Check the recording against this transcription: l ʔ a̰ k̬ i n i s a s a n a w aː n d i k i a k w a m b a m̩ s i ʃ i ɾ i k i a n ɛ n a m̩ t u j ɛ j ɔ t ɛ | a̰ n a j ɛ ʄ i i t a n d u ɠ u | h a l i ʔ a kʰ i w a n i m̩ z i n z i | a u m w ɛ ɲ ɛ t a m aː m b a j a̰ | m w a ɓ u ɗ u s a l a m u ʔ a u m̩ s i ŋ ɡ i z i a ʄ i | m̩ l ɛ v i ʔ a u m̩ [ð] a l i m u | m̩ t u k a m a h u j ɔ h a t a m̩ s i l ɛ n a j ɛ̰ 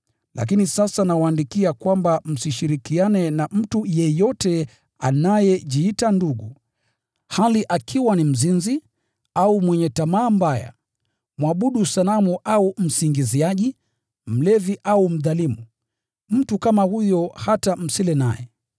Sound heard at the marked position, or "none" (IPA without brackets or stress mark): ð